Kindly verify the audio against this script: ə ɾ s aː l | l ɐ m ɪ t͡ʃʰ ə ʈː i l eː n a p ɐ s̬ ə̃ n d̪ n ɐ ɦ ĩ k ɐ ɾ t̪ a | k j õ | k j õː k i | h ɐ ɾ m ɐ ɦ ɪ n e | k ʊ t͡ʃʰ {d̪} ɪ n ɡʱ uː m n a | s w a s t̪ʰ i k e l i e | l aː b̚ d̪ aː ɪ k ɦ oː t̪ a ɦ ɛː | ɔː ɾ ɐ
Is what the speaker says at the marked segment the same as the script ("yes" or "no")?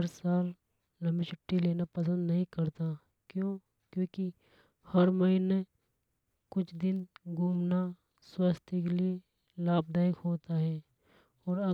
yes